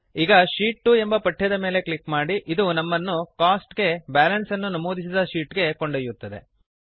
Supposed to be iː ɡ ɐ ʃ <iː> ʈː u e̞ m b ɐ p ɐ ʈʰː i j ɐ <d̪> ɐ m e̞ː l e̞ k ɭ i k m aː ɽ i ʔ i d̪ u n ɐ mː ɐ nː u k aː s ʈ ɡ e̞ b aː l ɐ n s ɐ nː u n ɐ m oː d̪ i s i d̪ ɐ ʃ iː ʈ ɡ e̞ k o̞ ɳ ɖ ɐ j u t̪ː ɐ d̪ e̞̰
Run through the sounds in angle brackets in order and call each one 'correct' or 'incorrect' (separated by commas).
correct, correct